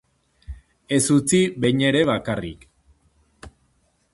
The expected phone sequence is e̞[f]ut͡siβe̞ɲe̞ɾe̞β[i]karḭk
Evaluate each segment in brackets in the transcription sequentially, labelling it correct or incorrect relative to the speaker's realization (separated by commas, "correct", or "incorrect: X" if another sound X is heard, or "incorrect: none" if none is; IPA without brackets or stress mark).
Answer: incorrect: s, incorrect: a